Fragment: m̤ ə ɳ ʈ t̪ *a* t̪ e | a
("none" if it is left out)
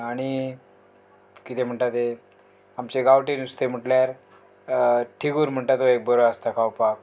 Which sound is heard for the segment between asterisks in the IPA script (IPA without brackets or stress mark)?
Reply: a